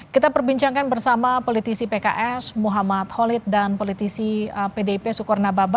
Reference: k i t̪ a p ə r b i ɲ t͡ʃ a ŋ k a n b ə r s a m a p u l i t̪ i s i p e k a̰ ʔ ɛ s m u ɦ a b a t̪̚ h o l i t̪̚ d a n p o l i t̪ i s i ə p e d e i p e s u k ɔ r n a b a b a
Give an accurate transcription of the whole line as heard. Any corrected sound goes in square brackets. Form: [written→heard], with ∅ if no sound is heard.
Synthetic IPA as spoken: k i t̪ a p ə r b i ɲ t͡ʃ a ŋ k a n b ə r s a m a p [u→o] l i t̪ i s i p e k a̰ ʔ ɛ s m u ɦ a [b→m] a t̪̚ h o l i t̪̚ d a n p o l i t̪ i s i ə p e d e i p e s u k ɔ r n a b a b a